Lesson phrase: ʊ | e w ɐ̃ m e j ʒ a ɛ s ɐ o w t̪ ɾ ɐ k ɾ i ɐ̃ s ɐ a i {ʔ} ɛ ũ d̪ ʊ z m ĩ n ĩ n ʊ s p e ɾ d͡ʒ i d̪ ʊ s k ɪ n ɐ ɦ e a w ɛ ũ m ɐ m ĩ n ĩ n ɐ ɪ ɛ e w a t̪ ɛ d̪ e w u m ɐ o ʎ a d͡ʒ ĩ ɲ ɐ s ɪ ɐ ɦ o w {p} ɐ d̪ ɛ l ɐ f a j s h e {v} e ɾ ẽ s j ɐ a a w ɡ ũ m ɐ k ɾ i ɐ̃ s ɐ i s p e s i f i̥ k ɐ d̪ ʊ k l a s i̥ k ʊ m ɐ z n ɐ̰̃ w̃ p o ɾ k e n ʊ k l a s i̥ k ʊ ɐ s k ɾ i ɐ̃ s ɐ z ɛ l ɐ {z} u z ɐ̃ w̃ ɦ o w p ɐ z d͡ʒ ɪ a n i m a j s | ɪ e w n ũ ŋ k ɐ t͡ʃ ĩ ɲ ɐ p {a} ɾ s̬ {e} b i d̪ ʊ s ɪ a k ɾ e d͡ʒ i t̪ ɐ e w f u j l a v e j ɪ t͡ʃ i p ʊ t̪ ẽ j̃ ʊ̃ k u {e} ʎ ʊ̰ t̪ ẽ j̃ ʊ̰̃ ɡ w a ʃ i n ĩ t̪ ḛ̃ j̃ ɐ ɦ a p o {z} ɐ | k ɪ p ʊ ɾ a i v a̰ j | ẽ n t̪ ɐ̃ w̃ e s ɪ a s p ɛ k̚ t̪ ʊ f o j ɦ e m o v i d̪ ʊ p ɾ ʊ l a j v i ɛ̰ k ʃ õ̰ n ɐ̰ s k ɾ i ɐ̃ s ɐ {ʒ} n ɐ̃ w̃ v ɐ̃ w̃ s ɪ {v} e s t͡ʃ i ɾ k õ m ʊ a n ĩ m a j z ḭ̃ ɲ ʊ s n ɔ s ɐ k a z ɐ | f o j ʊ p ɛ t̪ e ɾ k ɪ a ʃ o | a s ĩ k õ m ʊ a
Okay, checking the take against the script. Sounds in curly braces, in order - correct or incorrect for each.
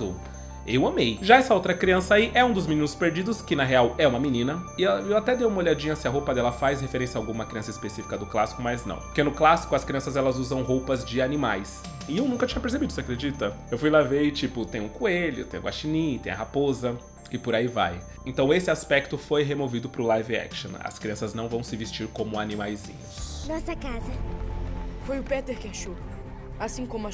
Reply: correct, correct, incorrect: f, correct, incorrect: e, correct, correct, correct, incorrect: z, correct

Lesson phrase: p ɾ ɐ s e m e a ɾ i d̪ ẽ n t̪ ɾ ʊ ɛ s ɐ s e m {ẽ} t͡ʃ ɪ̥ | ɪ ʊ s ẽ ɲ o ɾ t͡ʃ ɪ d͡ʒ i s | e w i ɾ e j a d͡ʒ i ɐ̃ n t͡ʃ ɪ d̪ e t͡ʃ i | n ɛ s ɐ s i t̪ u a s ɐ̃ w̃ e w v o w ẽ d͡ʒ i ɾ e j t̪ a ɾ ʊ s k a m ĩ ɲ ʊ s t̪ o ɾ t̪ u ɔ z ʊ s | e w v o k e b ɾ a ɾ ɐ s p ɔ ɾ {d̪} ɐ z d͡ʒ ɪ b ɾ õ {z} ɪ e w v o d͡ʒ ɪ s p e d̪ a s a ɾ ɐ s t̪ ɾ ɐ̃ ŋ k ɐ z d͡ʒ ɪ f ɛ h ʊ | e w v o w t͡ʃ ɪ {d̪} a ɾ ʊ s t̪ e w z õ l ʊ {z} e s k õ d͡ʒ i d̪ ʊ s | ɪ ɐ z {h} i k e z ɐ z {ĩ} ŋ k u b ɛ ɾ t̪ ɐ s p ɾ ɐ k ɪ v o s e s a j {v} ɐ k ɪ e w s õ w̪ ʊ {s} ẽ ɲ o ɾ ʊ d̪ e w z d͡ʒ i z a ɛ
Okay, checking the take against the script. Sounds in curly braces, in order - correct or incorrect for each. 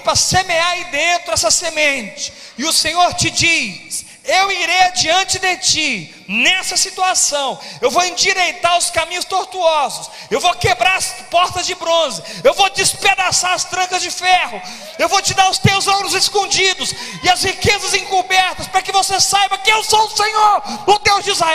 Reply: correct, incorrect: t̪, correct, correct, correct, correct, incorrect: ẽ, incorrect: b, correct

